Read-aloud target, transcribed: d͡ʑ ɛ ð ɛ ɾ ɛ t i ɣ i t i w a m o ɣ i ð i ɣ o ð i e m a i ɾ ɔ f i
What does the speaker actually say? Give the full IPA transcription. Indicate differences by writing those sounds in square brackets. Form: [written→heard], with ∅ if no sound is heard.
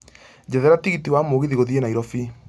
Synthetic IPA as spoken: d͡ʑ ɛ ð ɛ ɾ [ɛ→a] t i ɣ i t i w a m o ɣ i ð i ɣ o ð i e [m→n] a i ɾ ɔ f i